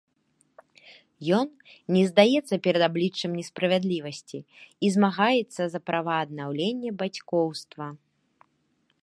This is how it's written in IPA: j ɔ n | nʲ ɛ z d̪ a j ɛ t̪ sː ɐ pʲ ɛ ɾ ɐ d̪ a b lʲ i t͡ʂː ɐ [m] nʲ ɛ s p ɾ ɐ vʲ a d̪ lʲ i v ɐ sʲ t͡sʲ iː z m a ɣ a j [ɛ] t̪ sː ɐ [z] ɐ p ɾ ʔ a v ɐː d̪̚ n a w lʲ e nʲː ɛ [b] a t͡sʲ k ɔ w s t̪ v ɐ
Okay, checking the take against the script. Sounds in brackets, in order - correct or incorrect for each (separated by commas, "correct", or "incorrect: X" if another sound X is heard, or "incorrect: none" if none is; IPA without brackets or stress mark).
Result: correct, correct, correct, correct